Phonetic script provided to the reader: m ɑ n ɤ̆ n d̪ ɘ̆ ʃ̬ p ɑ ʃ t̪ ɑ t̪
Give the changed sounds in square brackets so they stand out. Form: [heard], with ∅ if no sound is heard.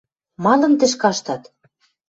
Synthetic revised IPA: m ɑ n ɤ̆ n [t̪] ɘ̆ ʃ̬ [k] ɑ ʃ t̪ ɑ t̪